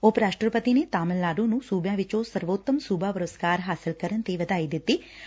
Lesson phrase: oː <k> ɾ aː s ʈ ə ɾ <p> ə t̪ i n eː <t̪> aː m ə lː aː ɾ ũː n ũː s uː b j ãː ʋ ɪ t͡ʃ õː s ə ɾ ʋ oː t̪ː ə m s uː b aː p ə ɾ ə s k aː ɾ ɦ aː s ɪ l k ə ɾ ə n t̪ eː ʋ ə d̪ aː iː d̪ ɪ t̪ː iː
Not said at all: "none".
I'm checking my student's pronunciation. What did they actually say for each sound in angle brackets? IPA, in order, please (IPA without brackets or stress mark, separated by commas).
p, p, t̪